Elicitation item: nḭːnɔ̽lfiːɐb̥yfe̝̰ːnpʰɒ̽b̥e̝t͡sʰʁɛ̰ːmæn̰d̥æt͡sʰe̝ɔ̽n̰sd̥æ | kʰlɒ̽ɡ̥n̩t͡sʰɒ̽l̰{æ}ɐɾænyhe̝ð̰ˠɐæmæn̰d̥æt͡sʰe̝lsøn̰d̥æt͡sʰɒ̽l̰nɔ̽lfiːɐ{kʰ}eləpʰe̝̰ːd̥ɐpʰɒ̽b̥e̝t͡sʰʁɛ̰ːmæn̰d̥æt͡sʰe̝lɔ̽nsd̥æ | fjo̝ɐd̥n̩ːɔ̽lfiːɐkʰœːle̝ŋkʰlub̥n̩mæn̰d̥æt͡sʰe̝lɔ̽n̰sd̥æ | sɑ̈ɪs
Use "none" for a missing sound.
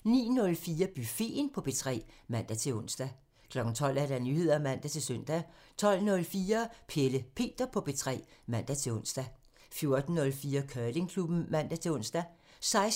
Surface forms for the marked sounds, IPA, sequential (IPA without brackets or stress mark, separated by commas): æ, pʰ